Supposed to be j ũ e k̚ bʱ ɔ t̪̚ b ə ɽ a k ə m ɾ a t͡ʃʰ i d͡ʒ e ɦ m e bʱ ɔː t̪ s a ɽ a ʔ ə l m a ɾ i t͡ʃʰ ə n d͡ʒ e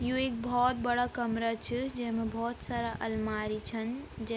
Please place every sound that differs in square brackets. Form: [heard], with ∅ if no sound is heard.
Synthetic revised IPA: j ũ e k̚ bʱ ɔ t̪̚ b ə ɽ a k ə m ɾ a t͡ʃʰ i d͡ʒ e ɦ m e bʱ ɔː t̪ s a [ɾ] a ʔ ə l m a ɾ i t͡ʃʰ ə n d͡ʒ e